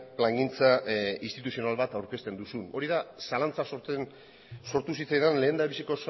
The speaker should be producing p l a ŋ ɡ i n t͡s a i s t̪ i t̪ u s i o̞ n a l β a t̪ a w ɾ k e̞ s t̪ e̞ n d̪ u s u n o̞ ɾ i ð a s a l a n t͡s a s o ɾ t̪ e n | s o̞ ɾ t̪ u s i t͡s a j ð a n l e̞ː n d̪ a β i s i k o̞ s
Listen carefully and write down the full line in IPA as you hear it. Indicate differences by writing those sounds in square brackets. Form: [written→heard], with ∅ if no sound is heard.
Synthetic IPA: p l a ŋ ɡ i n t͡s a i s t̪ i t̪ u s i o̞ n a l β a t̪ a w ɾ k e̞ s t̪ e̞ n d̪ u s u n o̞ ɾ i ð a s a l a n t͡s a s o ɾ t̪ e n | s o̞ ɾ t̪ u s i t͡s a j ð a n l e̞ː n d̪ a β i s i k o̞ s